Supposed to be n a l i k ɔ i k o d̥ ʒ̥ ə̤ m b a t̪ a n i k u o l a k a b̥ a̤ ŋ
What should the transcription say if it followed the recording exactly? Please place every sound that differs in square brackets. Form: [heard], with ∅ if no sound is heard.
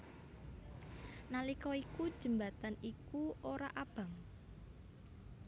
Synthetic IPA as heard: n a l i k ɔ i k [u] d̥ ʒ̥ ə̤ m b a t̪ a n i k u o [ɾ] a [ʔ] a b̥ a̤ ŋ